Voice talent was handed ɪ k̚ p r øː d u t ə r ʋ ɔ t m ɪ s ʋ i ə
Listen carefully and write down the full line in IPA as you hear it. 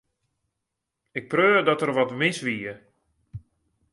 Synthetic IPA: ɪ k̚ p r øː d ɔ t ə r ʋ ɔ t m ɪ s ʋ i ə